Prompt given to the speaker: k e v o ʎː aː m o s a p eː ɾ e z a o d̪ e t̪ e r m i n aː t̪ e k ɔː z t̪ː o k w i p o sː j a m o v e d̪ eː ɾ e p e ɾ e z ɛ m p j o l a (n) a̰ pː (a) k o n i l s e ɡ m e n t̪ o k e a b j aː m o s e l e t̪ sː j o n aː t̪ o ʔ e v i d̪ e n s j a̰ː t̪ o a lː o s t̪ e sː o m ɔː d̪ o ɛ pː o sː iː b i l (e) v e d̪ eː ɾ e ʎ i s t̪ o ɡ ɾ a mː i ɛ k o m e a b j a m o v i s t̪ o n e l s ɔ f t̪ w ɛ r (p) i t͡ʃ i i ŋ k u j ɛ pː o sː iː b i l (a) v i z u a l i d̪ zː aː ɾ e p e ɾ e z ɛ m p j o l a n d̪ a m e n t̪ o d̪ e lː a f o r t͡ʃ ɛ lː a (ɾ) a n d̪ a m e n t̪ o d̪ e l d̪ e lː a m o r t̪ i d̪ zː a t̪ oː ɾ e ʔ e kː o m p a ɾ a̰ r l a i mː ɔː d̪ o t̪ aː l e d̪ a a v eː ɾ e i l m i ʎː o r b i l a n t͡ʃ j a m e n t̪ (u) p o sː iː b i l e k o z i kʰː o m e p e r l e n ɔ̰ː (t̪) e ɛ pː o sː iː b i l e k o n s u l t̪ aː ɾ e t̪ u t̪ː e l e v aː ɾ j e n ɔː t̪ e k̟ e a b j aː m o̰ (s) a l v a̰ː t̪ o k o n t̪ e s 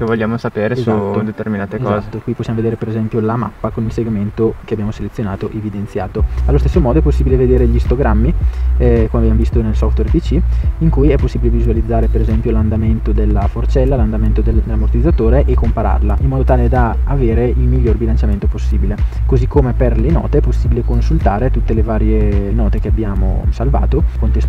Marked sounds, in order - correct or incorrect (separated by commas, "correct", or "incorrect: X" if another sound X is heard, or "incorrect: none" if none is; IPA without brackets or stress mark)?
incorrect: m, correct, correct, correct, incorrect: e, incorrect: l, incorrect: o, correct, correct